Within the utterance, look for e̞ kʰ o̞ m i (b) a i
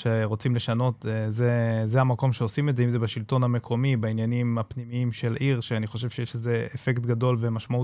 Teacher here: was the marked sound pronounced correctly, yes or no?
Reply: yes